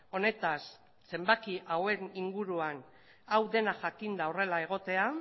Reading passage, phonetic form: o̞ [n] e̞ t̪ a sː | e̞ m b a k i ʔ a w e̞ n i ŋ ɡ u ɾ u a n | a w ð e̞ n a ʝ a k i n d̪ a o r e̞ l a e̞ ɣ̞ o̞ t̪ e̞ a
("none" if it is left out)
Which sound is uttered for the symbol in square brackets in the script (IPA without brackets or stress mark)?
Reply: n